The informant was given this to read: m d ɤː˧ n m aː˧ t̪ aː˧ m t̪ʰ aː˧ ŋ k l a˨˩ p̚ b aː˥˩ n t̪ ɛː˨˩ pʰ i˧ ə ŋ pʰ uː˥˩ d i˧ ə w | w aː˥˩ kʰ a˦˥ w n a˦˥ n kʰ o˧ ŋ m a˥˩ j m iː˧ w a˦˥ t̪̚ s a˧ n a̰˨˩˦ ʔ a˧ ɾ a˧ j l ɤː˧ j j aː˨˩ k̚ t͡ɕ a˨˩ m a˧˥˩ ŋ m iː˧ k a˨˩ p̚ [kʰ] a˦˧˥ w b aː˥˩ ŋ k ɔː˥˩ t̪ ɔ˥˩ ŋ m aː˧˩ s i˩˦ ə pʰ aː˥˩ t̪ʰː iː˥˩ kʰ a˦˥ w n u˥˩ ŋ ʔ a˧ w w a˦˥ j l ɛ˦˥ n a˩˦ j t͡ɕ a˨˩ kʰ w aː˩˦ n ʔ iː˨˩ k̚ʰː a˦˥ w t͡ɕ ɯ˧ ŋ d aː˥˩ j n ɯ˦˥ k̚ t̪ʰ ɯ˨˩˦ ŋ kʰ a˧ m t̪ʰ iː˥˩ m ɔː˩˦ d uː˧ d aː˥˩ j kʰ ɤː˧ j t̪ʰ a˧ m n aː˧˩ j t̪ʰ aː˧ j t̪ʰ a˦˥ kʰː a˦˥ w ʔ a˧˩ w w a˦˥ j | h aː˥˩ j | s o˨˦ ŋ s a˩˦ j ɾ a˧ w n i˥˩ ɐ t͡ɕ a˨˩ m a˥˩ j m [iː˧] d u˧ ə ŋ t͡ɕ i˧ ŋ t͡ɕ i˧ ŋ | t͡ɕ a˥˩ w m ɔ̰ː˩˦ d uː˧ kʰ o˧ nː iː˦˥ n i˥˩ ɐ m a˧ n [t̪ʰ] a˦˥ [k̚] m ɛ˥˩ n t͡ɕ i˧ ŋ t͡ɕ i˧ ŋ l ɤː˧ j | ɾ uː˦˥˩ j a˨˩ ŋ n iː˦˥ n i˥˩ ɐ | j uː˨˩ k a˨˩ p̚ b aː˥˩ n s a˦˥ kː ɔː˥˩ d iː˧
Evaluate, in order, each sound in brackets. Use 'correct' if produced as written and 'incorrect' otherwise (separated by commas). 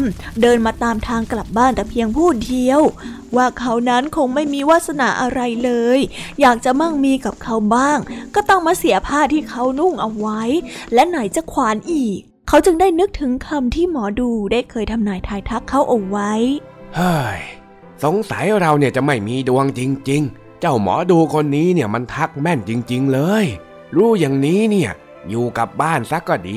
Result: correct, correct, correct, correct